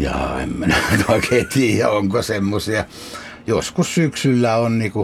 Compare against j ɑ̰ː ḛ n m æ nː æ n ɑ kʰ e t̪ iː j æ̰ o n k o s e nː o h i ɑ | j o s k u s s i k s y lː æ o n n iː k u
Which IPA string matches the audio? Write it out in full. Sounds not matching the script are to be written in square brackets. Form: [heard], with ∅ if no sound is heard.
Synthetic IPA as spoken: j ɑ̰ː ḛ [m] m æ [n] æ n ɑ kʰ e t̪ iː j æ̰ o [ŋ] k o s e [mː] o [s] i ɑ | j o s k u s s [y] k s y lː æ o n n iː k u